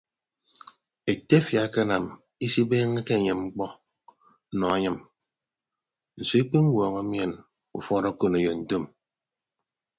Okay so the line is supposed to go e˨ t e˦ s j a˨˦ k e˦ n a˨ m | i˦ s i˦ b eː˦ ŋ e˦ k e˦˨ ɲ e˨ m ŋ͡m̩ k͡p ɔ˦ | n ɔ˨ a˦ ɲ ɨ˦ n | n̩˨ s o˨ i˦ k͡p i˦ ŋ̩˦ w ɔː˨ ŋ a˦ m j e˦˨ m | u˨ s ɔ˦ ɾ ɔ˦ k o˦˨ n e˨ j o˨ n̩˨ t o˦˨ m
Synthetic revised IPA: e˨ t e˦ f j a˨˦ k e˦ n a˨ m | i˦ s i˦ b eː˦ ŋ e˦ k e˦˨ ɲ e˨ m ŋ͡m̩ k͡p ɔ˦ | n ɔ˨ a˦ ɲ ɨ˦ m | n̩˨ s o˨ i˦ k͡p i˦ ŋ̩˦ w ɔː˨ ŋ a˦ m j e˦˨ n | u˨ f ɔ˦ ɾ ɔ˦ k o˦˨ n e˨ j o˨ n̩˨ t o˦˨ m